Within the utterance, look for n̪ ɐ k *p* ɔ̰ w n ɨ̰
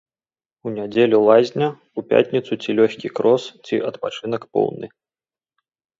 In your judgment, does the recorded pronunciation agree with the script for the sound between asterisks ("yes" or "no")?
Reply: yes